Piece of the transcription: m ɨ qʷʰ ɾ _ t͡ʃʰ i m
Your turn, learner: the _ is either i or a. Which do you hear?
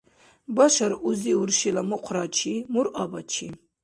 a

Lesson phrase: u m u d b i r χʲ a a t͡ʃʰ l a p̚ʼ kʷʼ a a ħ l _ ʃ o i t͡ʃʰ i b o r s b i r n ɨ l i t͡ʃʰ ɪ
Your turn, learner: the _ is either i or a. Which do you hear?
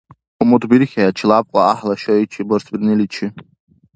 a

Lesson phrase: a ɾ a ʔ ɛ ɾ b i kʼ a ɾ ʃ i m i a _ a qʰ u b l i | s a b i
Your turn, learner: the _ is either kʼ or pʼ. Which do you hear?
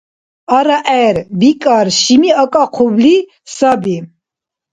kʼ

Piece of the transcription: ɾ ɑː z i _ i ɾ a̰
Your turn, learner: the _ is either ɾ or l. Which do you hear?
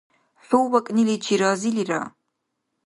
l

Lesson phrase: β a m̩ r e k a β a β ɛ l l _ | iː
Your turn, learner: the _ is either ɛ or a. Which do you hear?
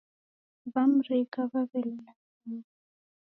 a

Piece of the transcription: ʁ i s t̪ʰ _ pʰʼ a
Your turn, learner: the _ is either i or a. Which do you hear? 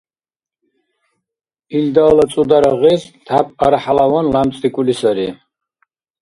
a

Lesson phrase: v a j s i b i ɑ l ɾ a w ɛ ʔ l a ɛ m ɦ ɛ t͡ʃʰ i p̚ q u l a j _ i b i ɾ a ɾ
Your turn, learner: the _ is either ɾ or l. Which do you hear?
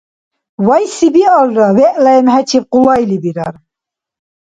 l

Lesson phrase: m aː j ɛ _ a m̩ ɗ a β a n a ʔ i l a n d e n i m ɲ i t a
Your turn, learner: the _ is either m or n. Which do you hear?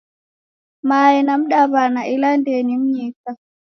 n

